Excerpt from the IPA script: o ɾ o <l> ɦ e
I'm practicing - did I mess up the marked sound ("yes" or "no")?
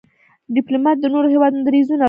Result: yes